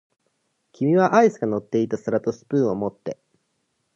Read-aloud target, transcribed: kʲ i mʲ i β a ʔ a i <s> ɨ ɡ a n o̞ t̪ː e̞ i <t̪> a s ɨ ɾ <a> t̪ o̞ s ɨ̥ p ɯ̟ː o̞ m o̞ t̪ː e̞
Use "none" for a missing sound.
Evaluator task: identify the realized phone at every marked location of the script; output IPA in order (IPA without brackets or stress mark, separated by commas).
s, t̪, a